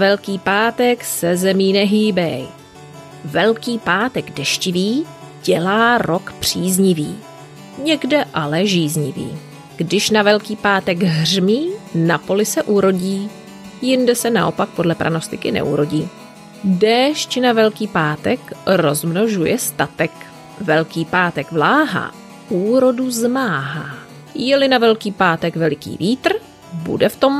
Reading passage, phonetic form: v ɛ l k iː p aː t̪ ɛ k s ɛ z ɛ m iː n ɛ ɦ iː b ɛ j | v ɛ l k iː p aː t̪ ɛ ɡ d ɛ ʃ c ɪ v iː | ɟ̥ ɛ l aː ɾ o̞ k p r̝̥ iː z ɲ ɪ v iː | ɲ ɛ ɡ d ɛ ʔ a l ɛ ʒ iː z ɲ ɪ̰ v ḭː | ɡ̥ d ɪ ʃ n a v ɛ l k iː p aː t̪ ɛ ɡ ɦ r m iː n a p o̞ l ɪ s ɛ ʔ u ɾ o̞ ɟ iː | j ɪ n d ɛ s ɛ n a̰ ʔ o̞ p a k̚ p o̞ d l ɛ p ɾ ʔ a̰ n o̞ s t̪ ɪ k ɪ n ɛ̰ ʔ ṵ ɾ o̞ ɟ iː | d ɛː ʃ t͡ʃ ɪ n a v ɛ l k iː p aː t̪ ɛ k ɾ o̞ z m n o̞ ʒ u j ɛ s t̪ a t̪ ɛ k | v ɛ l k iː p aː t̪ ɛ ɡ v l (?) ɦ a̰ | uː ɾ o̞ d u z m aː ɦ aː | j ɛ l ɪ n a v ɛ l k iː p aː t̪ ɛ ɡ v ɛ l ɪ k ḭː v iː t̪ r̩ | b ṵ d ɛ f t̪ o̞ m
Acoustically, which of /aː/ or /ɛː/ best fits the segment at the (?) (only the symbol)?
aː